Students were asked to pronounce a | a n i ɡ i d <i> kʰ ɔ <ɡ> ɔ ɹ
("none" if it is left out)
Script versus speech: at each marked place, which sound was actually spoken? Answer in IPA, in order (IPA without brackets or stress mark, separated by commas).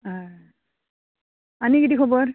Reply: i, b